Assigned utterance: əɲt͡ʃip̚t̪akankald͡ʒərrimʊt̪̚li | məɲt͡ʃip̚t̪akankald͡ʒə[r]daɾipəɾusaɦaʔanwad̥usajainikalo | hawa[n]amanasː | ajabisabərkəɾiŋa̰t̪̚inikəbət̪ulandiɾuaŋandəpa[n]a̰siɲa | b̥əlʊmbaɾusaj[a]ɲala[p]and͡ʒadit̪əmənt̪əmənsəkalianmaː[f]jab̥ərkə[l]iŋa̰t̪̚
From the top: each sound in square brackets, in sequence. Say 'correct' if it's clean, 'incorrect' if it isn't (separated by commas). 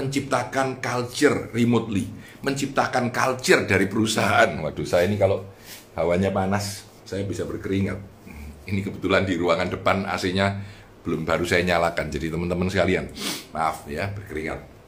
correct, incorrect, correct, correct, incorrect, correct, incorrect